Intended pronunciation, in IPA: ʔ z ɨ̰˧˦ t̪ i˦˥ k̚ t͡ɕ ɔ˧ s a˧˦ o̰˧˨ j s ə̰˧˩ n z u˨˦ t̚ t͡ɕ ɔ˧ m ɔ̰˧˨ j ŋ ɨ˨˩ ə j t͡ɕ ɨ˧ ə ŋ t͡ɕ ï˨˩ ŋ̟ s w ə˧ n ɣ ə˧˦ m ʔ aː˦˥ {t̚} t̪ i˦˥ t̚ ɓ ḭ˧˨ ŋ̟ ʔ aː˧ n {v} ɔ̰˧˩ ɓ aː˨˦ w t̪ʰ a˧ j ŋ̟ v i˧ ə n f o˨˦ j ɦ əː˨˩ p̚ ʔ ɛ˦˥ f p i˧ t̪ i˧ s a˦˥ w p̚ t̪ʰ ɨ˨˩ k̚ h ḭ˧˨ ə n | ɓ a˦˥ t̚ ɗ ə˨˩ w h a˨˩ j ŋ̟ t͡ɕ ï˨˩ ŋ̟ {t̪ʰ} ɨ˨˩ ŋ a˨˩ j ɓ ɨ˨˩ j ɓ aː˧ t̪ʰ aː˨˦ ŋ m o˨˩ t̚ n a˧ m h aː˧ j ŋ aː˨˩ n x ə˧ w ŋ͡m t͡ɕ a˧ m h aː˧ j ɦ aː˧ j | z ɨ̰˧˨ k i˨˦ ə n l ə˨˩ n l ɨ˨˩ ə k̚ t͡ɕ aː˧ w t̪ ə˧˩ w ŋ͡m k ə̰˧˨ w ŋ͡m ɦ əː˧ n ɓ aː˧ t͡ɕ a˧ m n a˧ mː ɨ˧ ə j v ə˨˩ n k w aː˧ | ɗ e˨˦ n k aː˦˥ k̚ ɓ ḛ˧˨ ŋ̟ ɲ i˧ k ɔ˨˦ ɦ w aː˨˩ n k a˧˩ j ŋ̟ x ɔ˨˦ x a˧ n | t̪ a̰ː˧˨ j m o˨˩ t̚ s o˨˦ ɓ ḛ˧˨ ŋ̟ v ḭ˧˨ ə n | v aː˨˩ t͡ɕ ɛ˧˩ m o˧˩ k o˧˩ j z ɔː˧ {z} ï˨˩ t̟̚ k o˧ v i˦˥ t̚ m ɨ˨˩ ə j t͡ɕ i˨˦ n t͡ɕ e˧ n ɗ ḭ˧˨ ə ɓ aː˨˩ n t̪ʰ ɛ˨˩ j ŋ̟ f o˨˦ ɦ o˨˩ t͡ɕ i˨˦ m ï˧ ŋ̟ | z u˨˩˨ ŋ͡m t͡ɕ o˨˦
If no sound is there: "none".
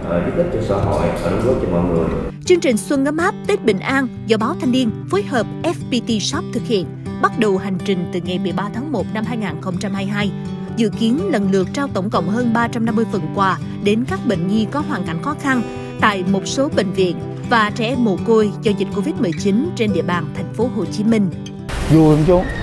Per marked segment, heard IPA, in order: p̚, z, t̪, z

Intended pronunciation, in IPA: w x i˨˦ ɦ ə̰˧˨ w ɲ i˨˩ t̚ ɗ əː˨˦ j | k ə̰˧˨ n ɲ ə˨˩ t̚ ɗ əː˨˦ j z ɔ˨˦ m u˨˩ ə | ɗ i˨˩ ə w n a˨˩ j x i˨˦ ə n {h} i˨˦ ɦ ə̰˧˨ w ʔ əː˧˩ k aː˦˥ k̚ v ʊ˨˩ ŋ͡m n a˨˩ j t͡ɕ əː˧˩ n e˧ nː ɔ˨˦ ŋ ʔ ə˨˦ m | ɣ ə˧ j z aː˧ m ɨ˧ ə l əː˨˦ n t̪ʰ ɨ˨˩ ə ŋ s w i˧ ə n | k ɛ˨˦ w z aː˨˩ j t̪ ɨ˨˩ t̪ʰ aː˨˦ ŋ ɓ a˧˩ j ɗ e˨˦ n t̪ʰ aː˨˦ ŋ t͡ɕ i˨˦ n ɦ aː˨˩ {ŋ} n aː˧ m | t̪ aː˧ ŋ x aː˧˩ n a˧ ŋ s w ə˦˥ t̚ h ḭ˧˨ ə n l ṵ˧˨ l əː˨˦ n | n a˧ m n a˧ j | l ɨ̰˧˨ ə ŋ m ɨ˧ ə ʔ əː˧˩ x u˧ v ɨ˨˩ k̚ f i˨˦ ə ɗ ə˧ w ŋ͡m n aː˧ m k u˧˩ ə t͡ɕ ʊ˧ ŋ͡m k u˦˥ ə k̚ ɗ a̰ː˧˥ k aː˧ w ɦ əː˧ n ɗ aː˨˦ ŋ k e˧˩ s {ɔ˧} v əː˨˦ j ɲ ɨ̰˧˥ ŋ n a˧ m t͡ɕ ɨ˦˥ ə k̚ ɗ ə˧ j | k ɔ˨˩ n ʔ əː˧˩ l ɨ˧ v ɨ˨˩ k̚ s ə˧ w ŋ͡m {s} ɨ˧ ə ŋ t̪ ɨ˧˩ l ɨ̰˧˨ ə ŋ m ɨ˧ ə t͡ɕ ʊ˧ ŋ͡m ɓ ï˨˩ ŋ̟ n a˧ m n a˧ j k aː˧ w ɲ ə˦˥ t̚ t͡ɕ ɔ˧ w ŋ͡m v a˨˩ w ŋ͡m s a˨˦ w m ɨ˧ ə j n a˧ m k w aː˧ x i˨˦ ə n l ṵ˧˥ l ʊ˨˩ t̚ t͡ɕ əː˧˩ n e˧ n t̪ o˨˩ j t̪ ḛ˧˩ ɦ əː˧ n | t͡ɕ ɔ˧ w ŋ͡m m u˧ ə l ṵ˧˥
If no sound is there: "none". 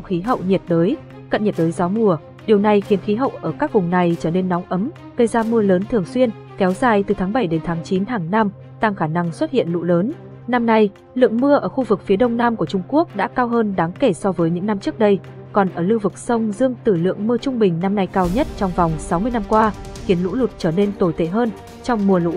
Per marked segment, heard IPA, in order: x, ŋ, ɔ˧, z

